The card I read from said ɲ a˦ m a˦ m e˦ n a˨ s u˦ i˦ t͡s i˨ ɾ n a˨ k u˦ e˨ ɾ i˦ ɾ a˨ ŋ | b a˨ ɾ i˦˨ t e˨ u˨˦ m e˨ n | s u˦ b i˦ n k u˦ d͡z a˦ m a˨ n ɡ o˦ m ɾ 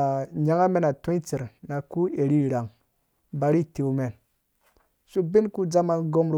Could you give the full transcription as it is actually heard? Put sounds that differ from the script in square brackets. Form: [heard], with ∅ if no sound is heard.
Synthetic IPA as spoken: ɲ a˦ [ŋ] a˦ m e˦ n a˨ [t] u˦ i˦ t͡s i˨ ɾ n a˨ k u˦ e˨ ɾ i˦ ɾ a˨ ŋ | b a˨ ɾ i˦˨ t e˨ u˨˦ m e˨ n | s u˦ b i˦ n k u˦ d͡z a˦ m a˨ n ɡ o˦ m ɾ